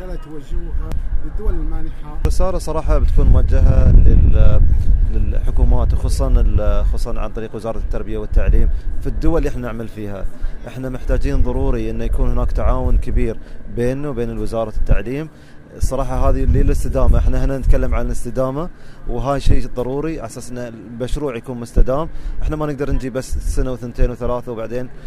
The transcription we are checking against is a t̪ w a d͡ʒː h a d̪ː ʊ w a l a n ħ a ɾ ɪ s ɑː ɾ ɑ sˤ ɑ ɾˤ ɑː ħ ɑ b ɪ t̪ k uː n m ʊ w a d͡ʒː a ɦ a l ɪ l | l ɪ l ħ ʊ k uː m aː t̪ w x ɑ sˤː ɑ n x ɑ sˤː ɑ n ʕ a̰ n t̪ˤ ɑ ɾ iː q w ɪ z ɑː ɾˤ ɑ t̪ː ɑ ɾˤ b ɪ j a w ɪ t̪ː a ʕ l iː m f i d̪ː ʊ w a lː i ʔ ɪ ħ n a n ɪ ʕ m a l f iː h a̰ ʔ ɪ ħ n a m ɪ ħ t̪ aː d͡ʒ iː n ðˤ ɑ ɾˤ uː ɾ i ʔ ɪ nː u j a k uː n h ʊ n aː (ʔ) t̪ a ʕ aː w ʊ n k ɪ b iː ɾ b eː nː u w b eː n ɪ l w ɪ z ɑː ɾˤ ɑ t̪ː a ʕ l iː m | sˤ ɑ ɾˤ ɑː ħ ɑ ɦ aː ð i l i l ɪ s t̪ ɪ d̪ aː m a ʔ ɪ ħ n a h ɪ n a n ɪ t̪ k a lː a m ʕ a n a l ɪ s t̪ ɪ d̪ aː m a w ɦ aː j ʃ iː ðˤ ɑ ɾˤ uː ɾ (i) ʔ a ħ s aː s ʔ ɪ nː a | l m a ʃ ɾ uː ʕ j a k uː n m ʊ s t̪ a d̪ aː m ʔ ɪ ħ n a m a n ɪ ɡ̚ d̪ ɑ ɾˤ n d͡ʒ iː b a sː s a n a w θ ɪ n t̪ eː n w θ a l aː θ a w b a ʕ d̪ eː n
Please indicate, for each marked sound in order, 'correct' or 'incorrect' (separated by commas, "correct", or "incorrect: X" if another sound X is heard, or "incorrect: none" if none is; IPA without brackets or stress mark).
incorrect: k, correct